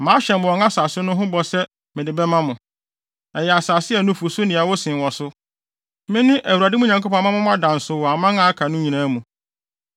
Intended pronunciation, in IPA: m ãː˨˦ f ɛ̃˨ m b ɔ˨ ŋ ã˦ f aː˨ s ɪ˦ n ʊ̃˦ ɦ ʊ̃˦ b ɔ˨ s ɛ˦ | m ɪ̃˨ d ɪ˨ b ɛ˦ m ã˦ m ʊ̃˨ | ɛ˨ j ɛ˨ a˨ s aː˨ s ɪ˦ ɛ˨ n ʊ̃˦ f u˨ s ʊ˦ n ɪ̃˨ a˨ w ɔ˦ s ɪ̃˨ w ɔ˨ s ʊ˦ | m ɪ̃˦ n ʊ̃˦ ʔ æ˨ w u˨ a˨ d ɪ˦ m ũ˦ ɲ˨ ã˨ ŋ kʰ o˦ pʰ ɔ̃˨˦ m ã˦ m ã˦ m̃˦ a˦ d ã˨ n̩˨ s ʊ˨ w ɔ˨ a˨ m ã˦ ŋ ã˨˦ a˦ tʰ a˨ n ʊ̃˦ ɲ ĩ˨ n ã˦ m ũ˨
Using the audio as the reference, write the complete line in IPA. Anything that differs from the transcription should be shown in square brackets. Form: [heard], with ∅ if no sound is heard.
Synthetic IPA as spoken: m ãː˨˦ [ɕ] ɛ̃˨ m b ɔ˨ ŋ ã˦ [s] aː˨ s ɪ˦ n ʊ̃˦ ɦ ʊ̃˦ b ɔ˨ s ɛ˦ | m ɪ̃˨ d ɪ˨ b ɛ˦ m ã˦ m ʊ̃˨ | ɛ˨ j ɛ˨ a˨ s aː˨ s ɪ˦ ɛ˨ n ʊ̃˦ f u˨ s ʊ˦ n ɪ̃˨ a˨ w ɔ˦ s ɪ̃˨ w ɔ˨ s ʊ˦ | m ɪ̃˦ n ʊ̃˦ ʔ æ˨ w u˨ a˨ d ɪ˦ m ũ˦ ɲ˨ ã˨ ŋ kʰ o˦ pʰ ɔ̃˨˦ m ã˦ m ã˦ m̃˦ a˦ d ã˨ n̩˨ s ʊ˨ w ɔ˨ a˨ m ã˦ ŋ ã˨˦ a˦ [kʰ] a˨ n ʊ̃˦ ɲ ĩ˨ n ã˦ m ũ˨